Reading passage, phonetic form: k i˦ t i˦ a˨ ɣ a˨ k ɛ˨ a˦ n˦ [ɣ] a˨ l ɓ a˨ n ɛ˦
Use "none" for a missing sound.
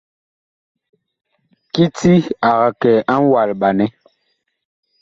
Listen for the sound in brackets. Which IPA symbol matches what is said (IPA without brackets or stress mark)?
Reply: w